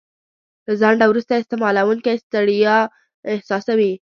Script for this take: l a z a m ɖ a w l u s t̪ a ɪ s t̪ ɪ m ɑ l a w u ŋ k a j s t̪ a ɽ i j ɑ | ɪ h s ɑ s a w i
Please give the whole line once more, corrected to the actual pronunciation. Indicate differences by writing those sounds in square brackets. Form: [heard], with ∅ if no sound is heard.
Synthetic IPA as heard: l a z a [ɳ] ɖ a w [ɾ] u s t̪ a ɪ s t̪ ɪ m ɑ l a w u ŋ k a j s t̪ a ɽ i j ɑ | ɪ h s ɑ s a w i

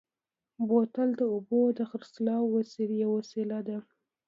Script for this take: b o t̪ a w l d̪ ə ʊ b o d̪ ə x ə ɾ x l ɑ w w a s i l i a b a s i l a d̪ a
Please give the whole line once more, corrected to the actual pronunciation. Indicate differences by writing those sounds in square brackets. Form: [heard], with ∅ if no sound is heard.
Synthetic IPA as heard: b o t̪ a [∅] l d̪ ə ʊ b o d̪ ə x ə ɾ [s] l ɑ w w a s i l [j] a [w] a s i l a d̪ a

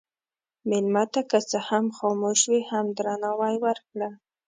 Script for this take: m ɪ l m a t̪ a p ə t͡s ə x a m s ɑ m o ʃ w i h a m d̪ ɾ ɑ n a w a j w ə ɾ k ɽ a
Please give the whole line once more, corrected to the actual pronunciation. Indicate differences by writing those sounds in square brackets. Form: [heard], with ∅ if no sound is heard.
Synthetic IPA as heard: m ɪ l m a t̪ a [k] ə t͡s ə [h] a m [x] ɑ m o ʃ w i h a m d̪ ɾ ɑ n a w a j w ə ɾ k ɽ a

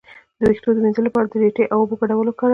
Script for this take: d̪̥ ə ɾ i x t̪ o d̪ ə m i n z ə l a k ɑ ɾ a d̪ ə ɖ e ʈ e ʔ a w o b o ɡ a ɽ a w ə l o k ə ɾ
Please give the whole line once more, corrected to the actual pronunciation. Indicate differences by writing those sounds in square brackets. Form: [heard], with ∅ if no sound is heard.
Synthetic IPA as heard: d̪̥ ə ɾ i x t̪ o d̪ ə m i n z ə l a [p] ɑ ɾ a d̪ ə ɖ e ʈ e ʔ a w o b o ɡ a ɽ a w ə l o k [ɑ] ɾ

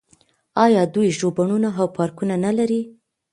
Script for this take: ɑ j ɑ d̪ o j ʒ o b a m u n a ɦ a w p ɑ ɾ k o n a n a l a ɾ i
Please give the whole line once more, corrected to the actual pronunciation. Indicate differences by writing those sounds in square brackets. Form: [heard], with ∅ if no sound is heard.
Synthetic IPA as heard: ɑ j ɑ d̪ [u] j ʒ o b a [ɳ] u n a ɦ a w p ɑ ɾ k [u] n a n a l a ɾ i

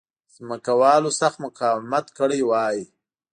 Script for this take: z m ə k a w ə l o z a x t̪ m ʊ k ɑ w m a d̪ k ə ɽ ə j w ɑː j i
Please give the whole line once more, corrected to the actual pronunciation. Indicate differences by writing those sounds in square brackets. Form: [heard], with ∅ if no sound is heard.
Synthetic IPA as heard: z m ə k a w [ɑ] l o [s] a x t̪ m ʊ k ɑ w m a [t̪] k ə ɽ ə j w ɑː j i

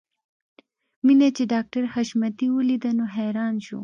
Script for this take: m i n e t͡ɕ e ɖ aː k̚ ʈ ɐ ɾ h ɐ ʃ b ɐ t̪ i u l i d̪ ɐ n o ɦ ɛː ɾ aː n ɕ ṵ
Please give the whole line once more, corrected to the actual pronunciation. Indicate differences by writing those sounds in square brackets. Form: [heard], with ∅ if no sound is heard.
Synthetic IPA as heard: m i n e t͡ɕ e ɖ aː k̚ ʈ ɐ ɾ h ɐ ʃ [m] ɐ t̪ i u l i d̪ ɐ n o ɦ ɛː ɾ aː n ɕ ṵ

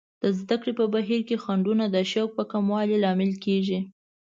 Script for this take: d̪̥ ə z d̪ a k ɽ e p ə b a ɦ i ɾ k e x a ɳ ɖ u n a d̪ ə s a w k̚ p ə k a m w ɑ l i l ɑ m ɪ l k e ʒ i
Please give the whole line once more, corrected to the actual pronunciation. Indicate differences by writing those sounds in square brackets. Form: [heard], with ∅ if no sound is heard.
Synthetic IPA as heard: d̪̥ ə z d̪ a k ɽ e p ə b a ɦ i ɾ k e x a ɳ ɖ u n a d̪ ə [ʃ] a w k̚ p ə k a m w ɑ l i l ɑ m ɪ l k e ʒ i

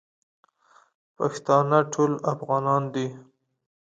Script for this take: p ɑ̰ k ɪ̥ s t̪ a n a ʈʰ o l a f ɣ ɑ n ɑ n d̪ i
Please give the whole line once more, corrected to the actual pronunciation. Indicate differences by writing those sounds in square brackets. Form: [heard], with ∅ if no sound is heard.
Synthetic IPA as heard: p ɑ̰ k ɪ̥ s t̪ [ɑ] n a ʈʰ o l a f ɣ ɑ n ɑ n d̪ i

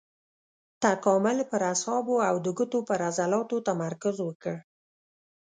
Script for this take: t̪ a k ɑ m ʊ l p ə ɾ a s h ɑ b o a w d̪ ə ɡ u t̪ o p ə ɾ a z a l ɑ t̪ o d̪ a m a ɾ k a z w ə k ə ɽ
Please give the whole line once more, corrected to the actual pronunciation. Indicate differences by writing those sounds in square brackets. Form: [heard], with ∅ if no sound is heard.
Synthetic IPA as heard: t̪ a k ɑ m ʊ l p ə ɾ a s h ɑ b o a w d̪ ə ɡ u t̪ o p ə ɾ a z a l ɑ t̪ o [t̪] a m a ɾ k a z w ə k ə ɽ

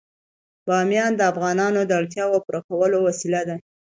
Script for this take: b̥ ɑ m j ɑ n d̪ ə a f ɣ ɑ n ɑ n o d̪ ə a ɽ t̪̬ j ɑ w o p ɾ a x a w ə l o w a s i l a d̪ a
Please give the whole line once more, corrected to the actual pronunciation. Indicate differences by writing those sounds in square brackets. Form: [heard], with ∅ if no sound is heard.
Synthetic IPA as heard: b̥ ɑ m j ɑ n d̪ ə a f ɣ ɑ n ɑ n o d̪ ə a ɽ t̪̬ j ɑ w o p ɾ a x a w ə l o w a s i l a d̪ a

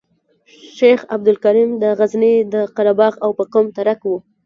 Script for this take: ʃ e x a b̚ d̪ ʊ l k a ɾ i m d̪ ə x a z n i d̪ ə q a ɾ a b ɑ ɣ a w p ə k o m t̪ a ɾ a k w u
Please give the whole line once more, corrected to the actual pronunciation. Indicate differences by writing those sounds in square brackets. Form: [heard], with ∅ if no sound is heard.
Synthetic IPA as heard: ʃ e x a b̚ d̪ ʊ l k a ɾ i m d̪ ə [ɣ] a z n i d̪ ə q a ɾ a b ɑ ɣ a w p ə k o m t̪ a ɾ a k w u

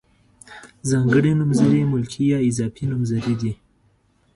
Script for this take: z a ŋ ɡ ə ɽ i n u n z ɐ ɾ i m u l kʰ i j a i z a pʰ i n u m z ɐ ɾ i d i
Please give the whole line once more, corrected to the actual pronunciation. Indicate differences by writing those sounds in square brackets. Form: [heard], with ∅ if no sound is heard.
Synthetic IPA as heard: z a ŋ ɡ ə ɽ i n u [m] z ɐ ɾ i m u l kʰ i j a i z a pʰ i n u m z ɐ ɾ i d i

